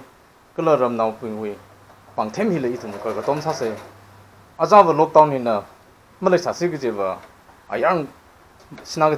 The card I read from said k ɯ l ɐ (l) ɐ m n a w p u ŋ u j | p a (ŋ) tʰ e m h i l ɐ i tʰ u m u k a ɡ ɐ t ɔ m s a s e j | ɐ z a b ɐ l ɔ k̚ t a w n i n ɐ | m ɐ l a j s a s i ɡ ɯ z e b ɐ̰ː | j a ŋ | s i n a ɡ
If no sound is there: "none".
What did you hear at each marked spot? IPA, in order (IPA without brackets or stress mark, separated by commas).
ɾ, ŋ